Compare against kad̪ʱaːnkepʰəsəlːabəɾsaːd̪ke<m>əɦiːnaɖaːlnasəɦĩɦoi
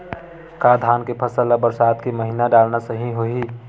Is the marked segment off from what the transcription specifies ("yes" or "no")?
no